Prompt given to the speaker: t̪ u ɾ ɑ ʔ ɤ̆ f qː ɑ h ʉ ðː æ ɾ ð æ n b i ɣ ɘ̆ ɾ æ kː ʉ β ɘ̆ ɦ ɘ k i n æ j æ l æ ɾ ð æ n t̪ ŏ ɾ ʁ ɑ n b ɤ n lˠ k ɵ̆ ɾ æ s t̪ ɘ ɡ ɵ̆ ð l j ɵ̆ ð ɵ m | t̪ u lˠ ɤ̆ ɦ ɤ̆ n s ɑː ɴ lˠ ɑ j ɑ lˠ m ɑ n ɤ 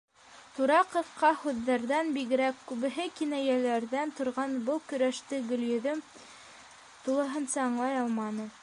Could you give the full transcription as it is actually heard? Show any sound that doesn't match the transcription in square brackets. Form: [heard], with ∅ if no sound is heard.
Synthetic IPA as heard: t̪ u ɾ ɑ [q] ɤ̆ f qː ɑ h ʉ ðː æ ɾ ð æ n b i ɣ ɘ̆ ɾ æ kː ʉ β ɘ̆ ɦ ɘ k i n æ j æ l æ ɾ ð æ n t̪ ŏ ɾ ʁ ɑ n b ɤ [∅] lˠ k ɵ̆ ɾ æ [ʃ] t̪ ɘ ɡ ɵ̆ [∅] l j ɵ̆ ð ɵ m | t̪ u lˠ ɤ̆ ɦ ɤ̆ n s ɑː ɴ lˠ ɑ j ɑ lˠ m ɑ n ɤ